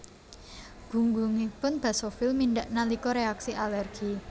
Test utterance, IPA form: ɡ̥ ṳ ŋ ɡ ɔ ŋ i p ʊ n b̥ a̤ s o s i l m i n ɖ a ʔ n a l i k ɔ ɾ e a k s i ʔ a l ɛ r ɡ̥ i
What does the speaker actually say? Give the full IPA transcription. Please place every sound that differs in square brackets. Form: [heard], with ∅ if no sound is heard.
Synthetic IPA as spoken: ɡ̥ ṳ ŋ ɡ [u] ŋ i p ʊ n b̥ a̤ s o [f] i l m i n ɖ a ʔ n a l i k ɔ ɾ e a k s i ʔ a l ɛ r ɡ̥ i